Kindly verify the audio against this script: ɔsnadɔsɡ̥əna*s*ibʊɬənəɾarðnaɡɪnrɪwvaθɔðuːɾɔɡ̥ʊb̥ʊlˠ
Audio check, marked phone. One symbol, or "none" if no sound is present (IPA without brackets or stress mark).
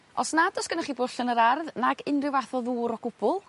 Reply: χ